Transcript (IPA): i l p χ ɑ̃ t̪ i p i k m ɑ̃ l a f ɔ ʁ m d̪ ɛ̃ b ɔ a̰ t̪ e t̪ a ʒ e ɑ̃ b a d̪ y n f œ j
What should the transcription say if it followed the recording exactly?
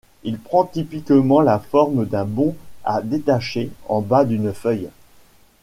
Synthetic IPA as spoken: i l p χ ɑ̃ t̪ i p i k m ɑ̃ l a f ɔ ʁ m d̪ ɛ̃ b ɔ̃ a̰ d̪ e t̪ a ʃ e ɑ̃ b a d̪ y n f œ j